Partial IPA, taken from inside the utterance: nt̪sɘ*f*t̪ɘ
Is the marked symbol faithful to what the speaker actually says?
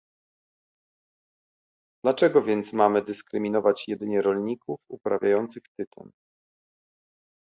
no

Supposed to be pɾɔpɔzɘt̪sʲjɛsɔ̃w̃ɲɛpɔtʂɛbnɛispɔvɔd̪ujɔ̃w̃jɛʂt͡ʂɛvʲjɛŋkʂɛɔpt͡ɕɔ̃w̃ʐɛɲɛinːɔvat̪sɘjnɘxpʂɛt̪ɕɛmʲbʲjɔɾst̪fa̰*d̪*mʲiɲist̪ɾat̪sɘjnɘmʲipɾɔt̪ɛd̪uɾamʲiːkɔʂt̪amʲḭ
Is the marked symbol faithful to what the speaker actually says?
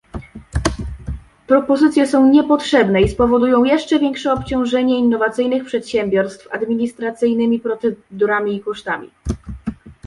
yes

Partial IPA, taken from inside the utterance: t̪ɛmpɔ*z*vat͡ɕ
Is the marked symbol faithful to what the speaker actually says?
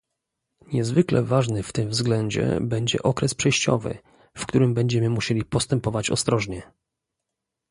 no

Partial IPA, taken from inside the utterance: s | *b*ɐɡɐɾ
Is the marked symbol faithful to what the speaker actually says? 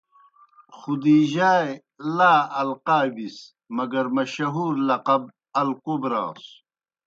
no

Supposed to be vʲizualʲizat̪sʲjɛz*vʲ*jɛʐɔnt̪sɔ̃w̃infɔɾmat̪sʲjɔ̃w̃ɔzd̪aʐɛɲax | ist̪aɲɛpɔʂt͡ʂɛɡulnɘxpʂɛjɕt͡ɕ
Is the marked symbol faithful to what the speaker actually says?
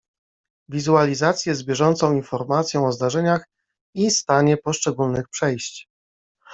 no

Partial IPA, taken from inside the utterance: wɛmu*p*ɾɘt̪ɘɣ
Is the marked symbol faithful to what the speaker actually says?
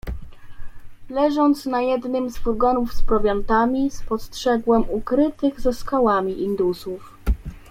no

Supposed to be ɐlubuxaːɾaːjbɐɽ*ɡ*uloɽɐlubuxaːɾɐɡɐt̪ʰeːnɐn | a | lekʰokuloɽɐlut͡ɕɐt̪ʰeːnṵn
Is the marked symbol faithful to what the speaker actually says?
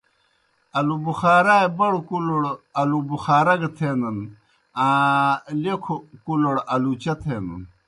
no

